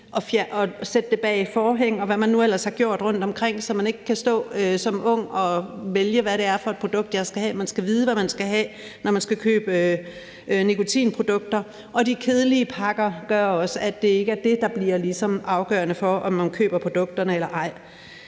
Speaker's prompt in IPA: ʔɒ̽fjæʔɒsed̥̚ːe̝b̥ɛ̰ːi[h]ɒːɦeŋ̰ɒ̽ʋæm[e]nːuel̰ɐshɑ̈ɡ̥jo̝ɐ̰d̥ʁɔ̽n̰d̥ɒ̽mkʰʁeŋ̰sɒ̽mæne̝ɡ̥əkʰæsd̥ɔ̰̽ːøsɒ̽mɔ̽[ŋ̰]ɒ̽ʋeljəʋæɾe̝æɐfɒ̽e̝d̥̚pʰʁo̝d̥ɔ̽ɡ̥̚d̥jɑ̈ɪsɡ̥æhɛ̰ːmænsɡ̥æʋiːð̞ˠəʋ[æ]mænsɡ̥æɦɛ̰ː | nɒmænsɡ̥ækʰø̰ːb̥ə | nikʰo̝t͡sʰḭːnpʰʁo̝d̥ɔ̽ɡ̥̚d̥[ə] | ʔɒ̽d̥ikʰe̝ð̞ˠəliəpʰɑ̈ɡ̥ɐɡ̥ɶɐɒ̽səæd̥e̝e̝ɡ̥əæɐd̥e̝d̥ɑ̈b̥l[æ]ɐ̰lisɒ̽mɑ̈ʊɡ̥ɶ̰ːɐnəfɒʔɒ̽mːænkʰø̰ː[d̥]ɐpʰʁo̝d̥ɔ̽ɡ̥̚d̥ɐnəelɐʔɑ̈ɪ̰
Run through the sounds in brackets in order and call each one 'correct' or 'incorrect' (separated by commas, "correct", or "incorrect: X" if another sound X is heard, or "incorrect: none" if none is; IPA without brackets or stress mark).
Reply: incorrect: f, incorrect: æ, correct, correct, incorrect: ɐ, incorrect: i, incorrect: b̥